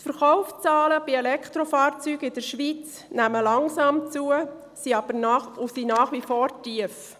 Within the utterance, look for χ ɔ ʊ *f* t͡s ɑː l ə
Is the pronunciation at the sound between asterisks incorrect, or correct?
correct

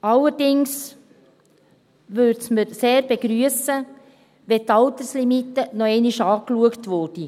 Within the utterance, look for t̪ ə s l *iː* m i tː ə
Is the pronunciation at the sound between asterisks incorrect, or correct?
incorrect: i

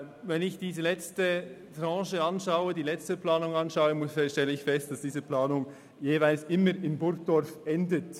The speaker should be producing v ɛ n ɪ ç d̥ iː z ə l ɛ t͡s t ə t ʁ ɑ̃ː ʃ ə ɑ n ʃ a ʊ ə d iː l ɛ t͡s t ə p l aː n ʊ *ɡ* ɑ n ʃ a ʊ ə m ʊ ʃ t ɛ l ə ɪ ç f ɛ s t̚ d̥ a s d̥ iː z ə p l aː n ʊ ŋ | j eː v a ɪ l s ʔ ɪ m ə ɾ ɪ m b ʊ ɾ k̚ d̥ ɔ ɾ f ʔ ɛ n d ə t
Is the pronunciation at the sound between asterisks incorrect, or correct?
incorrect: ŋ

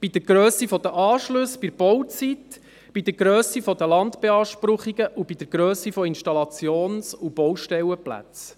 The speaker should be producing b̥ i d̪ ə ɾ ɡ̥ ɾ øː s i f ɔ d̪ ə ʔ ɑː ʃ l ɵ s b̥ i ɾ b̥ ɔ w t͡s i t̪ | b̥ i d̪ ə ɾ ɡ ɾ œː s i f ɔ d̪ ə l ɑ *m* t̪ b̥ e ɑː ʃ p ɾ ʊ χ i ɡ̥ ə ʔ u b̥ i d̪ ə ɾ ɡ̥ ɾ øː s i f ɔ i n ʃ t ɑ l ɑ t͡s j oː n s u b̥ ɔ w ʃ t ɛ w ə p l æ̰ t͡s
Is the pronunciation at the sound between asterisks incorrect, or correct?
incorrect: n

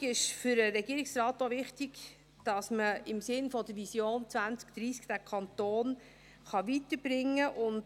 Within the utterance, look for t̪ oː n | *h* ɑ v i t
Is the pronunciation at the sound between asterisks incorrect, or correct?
incorrect: χ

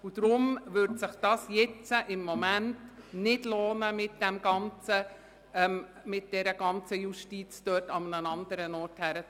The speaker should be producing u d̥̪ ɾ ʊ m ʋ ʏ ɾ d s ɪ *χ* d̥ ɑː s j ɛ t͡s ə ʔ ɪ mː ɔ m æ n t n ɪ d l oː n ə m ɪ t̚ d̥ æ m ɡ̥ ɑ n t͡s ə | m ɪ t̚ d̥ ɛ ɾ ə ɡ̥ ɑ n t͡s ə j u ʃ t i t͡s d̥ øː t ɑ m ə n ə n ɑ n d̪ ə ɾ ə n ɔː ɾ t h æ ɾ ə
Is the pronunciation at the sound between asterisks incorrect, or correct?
correct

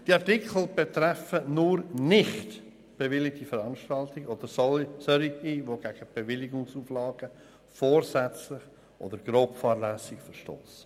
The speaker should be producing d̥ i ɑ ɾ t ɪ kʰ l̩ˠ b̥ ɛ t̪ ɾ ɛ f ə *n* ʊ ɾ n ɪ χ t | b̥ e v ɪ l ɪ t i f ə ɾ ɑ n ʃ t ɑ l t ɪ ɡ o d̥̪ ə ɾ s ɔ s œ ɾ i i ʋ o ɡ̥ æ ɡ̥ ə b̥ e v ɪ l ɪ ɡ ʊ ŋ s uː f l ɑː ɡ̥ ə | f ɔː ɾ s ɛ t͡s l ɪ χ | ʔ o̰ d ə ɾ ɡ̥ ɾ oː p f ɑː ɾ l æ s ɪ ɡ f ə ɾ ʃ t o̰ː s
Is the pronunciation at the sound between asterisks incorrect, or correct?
correct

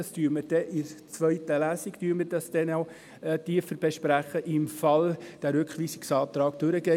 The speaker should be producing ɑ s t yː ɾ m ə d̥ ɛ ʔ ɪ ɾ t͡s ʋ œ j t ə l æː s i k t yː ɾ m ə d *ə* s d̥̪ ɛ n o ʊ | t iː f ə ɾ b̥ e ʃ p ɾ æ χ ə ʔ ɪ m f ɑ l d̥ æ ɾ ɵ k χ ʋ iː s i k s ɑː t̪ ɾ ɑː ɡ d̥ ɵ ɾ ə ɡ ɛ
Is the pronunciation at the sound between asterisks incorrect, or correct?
incorrect: ɑ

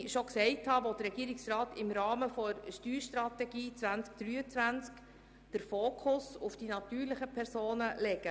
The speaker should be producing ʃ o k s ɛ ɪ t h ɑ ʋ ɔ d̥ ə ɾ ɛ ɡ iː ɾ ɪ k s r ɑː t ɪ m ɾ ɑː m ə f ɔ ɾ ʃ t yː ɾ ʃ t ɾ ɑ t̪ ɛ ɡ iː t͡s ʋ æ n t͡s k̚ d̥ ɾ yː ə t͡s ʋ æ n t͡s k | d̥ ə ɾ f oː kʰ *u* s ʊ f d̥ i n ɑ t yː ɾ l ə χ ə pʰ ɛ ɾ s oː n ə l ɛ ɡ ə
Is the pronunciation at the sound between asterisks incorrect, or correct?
incorrect: ʊ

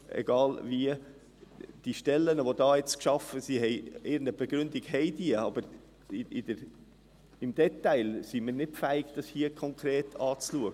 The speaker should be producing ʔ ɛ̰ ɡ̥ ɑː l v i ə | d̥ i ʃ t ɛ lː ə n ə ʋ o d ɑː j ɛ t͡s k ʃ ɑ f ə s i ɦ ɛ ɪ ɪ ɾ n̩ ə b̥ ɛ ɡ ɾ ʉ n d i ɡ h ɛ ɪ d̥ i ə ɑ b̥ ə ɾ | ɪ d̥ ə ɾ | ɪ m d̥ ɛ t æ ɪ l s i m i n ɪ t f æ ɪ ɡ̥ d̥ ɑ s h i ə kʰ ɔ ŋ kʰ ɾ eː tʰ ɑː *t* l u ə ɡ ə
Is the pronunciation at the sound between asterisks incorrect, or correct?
incorrect: t͡s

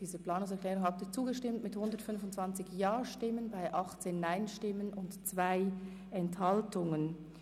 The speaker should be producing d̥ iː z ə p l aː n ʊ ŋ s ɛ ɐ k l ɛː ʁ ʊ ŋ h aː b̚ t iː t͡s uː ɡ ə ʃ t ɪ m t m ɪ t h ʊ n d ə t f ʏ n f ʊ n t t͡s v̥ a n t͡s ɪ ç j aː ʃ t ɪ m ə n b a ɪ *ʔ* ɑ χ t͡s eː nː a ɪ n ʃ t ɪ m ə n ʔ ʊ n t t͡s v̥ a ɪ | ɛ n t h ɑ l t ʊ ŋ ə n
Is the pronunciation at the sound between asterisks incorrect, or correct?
correct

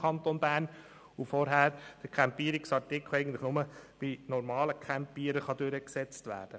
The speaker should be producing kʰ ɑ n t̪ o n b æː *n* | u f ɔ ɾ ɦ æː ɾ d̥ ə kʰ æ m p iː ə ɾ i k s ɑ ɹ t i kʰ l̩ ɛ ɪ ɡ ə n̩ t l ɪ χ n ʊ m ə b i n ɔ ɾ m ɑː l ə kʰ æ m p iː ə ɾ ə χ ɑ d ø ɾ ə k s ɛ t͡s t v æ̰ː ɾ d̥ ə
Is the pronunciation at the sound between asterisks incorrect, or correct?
correct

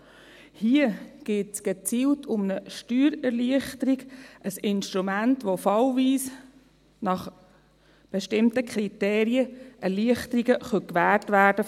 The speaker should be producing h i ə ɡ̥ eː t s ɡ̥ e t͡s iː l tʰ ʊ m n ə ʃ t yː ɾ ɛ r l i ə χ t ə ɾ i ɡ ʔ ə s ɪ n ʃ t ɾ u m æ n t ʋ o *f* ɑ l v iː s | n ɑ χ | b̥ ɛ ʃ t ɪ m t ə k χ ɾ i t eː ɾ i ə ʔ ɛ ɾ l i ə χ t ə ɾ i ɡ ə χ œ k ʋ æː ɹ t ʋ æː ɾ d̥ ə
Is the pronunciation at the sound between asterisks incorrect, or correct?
correct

